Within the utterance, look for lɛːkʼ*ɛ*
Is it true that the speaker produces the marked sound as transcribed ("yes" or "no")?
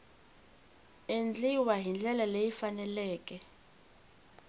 yes